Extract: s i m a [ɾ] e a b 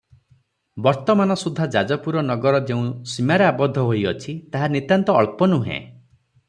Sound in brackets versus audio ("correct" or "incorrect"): correct